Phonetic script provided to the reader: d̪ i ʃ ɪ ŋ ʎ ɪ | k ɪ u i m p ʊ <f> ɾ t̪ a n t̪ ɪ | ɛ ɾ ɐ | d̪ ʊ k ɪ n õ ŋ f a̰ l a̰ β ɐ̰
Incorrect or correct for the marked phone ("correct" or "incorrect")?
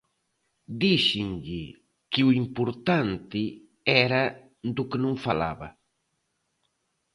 incorrect